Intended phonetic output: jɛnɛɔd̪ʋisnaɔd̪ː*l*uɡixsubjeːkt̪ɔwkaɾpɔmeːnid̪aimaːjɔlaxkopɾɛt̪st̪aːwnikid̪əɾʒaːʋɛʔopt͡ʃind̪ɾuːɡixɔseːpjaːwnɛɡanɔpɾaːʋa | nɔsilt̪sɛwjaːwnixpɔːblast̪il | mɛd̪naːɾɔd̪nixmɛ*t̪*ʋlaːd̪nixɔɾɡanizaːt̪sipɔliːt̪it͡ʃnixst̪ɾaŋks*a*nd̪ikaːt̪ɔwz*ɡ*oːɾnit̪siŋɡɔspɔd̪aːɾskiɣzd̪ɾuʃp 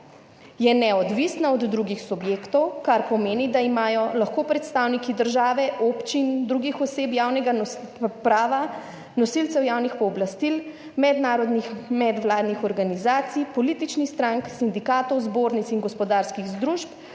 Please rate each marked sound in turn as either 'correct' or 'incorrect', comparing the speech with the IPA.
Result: incorrect, incorrect, incorrect, incorrect

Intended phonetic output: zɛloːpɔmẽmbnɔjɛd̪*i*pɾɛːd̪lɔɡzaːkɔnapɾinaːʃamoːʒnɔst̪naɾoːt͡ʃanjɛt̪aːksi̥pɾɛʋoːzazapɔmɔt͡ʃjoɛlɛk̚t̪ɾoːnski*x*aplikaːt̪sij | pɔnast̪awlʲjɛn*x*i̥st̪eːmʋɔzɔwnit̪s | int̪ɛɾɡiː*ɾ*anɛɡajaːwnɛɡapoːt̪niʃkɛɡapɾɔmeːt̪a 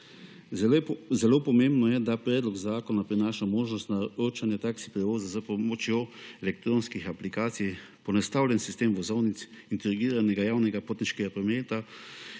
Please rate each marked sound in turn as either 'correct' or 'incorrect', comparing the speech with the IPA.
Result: incorrect, correct, incorrect, correct

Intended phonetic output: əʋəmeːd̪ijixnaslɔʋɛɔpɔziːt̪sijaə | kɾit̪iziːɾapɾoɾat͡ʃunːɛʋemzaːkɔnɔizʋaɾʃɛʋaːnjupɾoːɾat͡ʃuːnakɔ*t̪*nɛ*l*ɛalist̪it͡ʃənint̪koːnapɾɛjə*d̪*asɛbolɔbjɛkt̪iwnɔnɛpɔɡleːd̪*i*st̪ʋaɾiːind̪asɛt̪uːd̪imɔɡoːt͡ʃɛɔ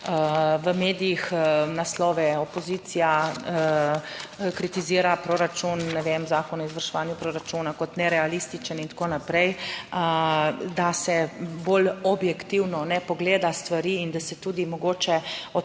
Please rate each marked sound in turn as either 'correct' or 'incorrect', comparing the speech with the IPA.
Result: correct, incorrect, correct, incorrect

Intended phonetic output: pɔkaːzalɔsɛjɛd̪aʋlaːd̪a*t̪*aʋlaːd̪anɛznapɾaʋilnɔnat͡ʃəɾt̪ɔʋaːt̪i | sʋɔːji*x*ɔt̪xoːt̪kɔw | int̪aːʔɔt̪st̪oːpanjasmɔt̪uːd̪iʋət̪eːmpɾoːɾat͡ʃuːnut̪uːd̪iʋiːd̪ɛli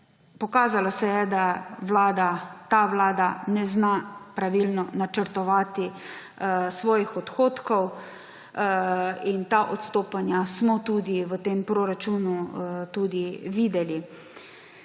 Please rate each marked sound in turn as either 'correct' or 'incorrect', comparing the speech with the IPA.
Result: correct, correct

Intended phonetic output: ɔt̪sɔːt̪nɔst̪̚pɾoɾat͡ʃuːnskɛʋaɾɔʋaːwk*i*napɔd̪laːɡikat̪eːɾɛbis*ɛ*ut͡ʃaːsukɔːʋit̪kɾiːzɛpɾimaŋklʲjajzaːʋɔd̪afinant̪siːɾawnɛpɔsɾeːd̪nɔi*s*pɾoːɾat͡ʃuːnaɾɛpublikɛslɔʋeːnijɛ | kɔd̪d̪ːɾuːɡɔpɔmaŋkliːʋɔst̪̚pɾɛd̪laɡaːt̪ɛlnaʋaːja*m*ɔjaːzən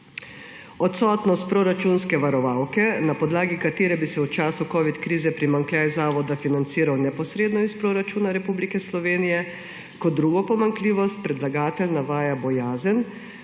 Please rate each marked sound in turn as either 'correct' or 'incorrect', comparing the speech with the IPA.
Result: incorrect, correct, correct, incorrect

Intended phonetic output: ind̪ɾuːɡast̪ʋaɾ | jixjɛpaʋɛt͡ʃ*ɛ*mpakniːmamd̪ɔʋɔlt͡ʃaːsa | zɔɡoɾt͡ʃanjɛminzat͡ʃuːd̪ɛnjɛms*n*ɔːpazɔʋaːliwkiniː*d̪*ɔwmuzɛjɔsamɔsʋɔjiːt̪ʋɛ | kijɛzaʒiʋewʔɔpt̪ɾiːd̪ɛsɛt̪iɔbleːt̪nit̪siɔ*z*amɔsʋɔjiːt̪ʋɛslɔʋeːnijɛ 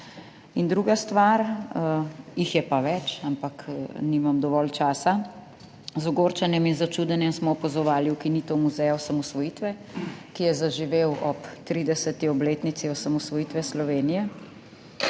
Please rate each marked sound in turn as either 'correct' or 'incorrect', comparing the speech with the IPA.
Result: incorrect, incorrect, incorrect, incorrect

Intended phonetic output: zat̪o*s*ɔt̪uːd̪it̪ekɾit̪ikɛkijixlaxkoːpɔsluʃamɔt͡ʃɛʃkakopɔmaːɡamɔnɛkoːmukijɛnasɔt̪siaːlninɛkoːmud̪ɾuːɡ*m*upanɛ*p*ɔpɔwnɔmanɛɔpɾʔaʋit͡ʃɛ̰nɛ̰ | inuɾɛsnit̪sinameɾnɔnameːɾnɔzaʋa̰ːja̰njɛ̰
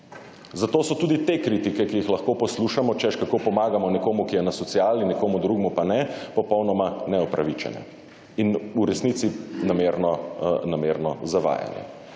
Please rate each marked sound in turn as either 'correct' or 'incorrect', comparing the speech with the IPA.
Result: correct, correct, correct

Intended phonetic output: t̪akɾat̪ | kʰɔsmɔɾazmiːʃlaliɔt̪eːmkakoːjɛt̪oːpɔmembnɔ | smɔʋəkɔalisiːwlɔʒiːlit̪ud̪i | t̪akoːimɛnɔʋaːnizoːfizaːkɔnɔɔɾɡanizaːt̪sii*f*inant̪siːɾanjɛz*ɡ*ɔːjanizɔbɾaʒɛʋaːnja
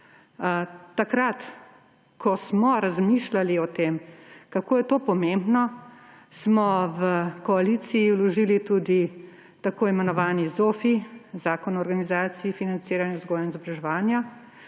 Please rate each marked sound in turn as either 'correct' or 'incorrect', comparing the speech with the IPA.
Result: correct, correct

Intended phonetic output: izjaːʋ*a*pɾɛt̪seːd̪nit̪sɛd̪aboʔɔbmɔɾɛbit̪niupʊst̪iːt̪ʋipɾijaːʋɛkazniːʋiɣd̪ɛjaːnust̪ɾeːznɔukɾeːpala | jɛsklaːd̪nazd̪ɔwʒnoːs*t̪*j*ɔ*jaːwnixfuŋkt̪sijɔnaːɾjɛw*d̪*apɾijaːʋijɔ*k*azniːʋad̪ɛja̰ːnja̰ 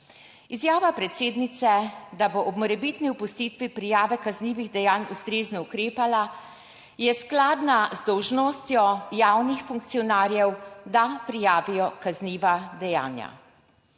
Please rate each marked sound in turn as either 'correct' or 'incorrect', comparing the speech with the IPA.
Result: correct, correct, correct, correct, correct

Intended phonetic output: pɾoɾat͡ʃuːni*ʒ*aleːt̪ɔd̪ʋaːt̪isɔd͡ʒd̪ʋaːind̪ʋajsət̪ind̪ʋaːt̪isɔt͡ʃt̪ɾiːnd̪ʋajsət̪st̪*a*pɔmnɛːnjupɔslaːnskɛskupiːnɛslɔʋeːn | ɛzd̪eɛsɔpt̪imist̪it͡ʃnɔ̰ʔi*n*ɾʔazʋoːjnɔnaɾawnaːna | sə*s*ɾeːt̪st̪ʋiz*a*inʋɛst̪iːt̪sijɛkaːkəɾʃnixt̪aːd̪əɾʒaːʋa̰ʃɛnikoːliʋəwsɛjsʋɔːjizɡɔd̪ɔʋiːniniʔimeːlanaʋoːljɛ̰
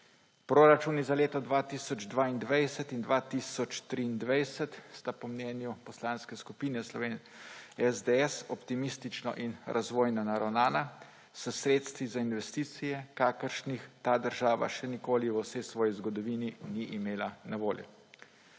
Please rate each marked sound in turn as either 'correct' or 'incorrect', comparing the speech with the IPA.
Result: incorrect, correct, correct, correct, correct

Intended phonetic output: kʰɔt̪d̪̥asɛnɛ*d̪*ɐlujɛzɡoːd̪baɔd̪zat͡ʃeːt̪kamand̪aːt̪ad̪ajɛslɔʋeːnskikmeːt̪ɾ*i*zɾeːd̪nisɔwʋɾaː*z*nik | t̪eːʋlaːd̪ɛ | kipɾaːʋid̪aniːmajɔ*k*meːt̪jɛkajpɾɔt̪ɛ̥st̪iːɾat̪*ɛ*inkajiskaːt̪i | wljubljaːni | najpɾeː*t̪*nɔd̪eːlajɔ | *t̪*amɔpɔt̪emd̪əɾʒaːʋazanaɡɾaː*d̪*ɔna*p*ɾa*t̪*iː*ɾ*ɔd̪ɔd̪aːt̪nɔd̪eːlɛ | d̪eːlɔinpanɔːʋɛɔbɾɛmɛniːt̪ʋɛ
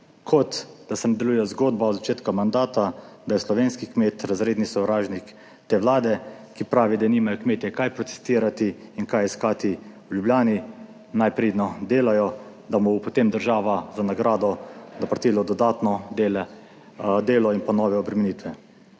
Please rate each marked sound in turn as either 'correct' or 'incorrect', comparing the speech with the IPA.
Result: correct, incorrect, incorrect, correct, incorrect, incorrect, incorrect, correct, correct, correct, incorrect

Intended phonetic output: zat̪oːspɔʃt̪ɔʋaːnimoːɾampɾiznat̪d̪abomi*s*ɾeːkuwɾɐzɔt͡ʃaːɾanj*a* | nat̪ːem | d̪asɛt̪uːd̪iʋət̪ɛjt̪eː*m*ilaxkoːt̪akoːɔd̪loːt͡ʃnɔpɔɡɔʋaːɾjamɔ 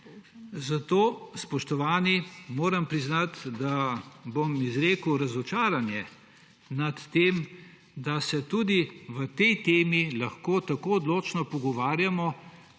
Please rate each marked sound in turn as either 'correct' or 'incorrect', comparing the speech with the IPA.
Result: incorrect, incorrect, correct

